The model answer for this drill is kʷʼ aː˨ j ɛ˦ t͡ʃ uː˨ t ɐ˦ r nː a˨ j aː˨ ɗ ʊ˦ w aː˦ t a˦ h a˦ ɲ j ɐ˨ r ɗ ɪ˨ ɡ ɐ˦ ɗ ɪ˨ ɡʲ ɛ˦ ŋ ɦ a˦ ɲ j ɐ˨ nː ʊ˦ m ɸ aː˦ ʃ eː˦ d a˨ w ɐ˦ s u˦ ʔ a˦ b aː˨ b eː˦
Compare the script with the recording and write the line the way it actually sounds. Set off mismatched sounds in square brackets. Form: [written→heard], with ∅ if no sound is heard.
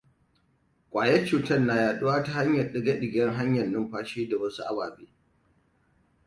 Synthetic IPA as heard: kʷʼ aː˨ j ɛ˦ t͡ʃ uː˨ t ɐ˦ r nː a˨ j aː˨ ɗ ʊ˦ w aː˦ t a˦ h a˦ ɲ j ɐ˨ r ɗ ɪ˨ ɡ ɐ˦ ɗ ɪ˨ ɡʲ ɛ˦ ŋ ɦ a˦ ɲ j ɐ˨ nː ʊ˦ m ɸ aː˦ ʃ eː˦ d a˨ w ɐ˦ s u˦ ʔ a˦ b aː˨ b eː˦